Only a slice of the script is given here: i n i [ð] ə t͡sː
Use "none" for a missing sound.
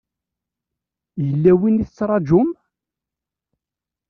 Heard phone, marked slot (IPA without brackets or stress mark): θ